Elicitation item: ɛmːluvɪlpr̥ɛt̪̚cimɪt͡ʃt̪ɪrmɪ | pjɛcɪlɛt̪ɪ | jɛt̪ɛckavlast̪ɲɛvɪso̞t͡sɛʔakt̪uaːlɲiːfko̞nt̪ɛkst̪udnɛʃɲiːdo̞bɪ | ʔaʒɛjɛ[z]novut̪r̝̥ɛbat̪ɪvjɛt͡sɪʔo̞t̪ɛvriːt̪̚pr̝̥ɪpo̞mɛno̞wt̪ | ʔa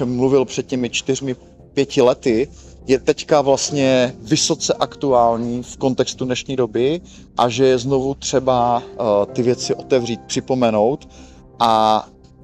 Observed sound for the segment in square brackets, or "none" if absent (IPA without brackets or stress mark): z